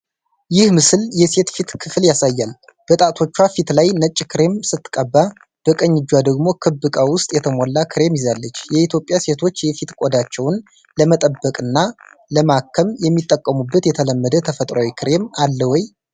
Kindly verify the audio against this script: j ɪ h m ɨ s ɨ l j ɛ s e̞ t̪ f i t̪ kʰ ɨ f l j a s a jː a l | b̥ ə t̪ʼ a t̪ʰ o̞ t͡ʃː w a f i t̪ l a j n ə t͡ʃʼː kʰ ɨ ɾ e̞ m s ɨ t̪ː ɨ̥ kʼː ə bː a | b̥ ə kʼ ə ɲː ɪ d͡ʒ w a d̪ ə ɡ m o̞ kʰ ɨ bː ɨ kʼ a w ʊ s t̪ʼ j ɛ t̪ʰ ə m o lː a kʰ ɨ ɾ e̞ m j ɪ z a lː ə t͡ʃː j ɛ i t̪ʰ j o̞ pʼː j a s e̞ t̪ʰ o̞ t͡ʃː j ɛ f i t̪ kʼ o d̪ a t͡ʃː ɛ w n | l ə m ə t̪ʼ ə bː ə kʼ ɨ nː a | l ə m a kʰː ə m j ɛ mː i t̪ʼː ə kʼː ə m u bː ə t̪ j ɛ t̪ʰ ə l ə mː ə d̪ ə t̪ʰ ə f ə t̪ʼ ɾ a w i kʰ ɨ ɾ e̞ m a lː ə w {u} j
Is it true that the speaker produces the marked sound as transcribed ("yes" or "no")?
no